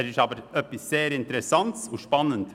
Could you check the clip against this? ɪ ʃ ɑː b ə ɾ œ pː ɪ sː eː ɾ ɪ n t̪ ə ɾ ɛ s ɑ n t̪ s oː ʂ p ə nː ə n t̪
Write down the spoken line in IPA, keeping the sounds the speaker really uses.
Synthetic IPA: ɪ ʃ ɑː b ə ɾ œ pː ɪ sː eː ɾ ɪ n t̪ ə ɾ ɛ s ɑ n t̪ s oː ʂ p ɑ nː ə n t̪